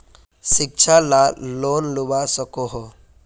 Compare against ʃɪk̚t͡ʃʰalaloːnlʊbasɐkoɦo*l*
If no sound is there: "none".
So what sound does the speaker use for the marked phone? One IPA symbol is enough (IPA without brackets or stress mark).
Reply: none